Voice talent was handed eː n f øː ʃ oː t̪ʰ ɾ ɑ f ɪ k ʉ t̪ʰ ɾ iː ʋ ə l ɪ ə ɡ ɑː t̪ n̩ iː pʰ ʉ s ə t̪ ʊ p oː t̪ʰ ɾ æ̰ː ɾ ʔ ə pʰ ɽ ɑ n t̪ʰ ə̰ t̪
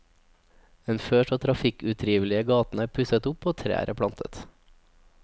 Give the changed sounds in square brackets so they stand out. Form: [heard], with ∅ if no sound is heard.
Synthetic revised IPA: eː n f øː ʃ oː t̪ʰ ɾ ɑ f ɪ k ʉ t̪ʰ ɾ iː ʋ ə l ɪ ə ɡ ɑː t̪ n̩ [æː] pʰ ʉ s ə t̪ ʊ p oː t̪ʰ ɾ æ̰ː ɾ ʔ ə pʰ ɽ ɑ n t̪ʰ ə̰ t̪